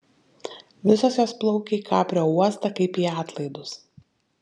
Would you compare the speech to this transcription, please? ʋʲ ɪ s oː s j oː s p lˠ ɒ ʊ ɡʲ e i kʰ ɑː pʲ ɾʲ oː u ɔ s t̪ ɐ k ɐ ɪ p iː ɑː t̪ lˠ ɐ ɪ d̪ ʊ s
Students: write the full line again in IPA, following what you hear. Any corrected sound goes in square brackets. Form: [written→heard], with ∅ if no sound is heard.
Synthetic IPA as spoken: ʋʲ ɪ s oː s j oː s p lˠ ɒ ʊ [ɡʲ→kʲ] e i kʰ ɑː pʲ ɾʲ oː u ɔ s t̪ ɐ k ɐ ɪ p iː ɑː t̪ lˠ ɐ ɪ d̪ ʊ s